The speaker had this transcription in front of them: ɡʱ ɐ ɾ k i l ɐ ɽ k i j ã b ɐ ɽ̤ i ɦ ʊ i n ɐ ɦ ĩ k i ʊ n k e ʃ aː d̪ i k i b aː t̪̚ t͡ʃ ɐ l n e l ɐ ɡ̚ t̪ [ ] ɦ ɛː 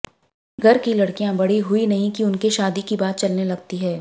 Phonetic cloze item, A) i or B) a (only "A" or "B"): A